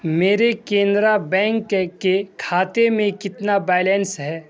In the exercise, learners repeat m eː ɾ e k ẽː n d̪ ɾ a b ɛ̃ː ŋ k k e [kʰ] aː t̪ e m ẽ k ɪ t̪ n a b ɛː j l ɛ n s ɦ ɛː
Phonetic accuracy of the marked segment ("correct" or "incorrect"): correct